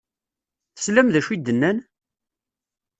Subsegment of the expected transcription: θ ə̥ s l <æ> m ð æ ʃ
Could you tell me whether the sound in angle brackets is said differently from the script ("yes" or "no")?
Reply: no